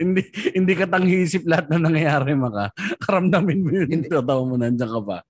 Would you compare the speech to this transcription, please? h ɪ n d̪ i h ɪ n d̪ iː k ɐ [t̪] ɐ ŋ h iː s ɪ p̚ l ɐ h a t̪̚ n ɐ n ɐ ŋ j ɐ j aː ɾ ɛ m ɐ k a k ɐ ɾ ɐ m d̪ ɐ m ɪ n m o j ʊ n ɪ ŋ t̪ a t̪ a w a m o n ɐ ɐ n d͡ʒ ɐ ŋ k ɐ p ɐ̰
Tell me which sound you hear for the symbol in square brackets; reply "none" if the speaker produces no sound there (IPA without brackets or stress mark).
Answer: t̪